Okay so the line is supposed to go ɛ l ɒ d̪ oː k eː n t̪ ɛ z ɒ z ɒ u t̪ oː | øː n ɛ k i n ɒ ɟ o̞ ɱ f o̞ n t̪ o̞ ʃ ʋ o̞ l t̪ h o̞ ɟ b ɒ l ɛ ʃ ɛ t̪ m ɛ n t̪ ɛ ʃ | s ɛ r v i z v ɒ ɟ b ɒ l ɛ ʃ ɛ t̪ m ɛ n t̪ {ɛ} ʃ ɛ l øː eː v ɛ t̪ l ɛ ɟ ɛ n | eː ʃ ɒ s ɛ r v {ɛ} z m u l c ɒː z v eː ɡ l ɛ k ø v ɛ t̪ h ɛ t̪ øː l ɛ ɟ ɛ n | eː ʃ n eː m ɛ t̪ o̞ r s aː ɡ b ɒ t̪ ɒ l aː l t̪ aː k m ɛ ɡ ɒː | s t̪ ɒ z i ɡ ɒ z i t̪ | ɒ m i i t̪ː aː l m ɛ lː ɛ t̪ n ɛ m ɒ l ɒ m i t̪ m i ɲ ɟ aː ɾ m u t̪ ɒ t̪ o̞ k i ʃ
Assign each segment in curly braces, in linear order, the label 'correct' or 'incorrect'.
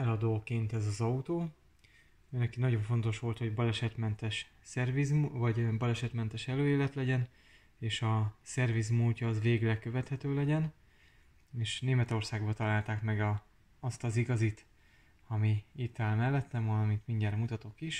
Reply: correct, incorrect: i

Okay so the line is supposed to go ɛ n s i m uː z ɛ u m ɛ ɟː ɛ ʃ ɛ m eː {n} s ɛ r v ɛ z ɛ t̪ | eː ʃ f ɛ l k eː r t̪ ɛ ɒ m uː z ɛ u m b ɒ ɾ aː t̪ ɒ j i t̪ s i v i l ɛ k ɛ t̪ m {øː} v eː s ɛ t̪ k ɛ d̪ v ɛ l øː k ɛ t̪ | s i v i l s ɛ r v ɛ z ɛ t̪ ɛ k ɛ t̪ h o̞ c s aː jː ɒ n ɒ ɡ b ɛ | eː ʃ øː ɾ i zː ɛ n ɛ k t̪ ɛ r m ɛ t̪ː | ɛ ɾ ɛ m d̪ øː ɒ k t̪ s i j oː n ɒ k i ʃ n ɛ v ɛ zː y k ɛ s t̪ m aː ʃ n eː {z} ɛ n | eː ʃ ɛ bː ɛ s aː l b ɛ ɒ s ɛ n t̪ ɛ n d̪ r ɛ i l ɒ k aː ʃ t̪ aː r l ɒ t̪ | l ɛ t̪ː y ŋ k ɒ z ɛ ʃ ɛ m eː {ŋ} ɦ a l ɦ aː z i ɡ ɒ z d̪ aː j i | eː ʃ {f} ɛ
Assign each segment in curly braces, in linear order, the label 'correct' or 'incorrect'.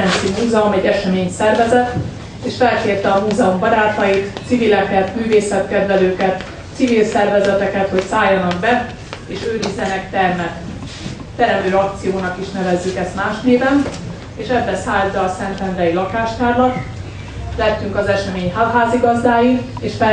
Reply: incorrect: ɲ, incorrect: yː, incorrect: v, incorrect: ɲ, correct

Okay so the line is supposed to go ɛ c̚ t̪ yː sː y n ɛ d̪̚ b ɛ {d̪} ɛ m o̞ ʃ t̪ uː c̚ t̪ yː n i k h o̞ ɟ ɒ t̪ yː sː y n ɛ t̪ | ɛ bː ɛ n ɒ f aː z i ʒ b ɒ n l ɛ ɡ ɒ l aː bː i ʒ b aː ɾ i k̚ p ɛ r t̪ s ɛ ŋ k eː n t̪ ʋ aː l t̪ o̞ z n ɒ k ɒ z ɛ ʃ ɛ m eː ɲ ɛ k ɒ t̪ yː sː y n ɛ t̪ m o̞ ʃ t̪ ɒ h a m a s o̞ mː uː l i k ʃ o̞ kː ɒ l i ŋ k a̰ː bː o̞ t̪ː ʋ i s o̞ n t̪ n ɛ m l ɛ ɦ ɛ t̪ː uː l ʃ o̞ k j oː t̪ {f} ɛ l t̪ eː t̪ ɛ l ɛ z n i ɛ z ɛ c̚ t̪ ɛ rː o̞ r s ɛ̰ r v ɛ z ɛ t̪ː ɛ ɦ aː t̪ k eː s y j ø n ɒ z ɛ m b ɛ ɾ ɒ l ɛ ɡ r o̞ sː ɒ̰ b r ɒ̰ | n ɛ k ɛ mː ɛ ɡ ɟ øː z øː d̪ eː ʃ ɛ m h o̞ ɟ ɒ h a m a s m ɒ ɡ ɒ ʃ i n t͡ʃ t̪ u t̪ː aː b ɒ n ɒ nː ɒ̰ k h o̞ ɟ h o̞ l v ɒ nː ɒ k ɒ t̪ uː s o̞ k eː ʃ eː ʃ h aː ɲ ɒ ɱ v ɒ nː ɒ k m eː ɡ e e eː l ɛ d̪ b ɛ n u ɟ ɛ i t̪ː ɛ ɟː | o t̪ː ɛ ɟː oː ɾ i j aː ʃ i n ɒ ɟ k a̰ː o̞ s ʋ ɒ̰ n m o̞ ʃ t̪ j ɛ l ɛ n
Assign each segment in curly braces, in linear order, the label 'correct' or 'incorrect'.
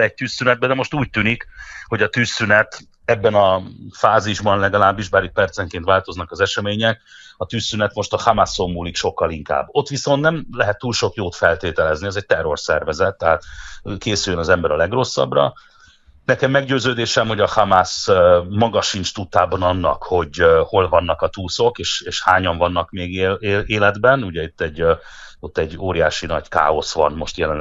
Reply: correct, correct

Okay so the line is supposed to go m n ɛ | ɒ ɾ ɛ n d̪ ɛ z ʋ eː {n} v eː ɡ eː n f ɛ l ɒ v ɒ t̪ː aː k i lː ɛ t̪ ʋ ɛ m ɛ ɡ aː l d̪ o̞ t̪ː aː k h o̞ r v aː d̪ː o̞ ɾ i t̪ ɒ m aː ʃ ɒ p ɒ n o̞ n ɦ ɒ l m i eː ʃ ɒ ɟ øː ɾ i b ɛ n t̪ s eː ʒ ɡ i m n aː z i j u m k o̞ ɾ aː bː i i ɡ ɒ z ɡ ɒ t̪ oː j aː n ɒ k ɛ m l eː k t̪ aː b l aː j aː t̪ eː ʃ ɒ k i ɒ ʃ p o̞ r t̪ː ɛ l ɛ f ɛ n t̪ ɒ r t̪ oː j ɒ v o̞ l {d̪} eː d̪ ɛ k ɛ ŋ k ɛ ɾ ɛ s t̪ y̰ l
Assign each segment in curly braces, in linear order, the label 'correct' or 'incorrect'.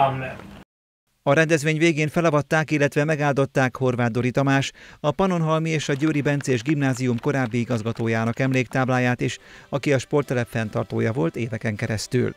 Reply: incorrect: ɲ, incorrect: t̪

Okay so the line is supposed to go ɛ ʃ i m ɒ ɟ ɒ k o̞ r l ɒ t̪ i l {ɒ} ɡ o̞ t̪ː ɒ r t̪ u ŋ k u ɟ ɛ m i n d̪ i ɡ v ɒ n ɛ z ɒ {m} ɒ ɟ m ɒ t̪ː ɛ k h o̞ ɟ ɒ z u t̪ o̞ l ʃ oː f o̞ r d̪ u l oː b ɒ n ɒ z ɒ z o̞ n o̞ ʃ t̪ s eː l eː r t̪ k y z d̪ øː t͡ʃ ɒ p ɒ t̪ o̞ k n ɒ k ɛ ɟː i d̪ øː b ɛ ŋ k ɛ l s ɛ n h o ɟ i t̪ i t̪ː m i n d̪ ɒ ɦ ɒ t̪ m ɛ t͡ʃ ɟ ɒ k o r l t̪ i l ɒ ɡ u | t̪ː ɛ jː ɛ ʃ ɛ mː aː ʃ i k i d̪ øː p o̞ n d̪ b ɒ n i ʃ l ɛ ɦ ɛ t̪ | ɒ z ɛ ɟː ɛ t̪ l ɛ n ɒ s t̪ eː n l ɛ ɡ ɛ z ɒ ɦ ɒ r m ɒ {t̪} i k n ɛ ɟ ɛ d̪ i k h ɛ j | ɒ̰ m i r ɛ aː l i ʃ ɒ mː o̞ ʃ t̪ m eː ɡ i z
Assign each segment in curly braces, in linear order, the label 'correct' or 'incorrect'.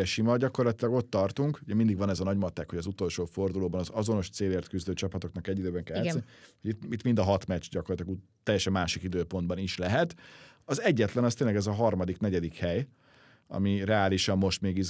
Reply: correct, incorrect: n, incorrect: d̪

